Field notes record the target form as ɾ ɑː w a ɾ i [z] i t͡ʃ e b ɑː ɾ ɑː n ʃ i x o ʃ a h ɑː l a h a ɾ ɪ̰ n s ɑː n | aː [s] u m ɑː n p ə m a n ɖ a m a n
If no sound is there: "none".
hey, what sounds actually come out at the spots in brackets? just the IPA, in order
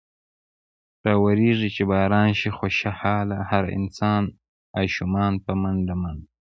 ʐ, ʃ

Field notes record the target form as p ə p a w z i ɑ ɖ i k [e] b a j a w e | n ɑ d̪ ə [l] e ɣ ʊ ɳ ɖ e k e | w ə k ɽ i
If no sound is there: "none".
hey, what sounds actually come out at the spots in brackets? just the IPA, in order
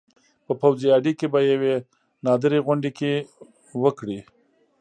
e, ɾ

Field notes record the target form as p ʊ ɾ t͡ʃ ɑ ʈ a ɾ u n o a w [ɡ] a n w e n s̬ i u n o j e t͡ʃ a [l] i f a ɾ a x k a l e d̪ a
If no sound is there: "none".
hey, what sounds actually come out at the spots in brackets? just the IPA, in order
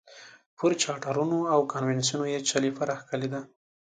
k, l

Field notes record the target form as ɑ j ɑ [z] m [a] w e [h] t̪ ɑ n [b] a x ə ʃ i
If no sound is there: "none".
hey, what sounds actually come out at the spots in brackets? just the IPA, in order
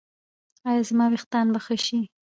z, ɑ, x, b

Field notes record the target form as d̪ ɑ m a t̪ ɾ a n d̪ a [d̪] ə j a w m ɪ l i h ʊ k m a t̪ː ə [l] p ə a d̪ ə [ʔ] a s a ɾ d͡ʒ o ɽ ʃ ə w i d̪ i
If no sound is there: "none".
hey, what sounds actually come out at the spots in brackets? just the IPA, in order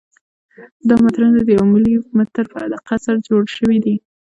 d̪, ɾ, q

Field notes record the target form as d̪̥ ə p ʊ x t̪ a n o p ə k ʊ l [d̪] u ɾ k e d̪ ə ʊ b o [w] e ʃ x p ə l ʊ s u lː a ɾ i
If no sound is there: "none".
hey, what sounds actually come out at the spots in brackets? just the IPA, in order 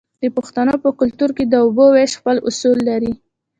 t̪, w

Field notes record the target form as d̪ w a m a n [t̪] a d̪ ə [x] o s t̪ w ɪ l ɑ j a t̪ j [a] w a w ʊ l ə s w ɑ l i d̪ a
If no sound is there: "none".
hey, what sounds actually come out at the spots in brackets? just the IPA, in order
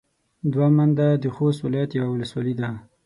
d̪, x, a

